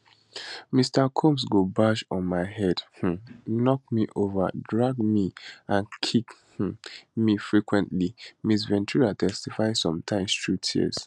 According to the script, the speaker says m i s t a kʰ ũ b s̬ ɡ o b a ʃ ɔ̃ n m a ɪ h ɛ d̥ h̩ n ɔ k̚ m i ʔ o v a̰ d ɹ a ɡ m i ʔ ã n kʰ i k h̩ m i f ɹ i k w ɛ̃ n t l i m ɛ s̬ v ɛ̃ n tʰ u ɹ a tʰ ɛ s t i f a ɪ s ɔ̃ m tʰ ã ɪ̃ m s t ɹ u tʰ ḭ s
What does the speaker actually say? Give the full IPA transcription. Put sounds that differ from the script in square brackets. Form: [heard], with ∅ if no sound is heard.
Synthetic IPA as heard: m i s t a kʰ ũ [m] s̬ ɡ o b a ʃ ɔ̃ n m a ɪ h ɛ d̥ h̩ n ɔ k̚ m i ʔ o v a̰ d ɹ a ɡ m i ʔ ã n kʰ i k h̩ m i f ɹ i k w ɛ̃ n t l i m [i] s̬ v ɛ̃ n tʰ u ɹ a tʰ ɛ s t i f a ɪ s ɔ̃ m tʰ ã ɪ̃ m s t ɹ u tʰ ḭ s